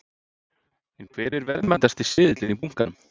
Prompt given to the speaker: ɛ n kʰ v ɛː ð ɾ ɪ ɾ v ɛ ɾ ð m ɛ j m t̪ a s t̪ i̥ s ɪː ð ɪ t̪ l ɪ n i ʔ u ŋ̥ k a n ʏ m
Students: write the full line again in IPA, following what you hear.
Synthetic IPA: ɛ n kʰ v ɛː ɾ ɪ ɾ v ɛ ɾ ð m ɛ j n t̪ a s t̪ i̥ s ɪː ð ɪ t̪ l ɪ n i p u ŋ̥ k a n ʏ m